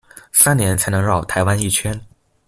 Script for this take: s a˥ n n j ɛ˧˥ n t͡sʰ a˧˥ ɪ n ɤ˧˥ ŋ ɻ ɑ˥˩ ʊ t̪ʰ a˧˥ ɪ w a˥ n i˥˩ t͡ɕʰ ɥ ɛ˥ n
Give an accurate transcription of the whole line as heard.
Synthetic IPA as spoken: s a˥ n n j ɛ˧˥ n t͡sʰ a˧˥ ɪ n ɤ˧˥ ŋ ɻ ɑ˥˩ ʊ t̪ʰ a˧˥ ɪ w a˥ n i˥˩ t͡ɕʰ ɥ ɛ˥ n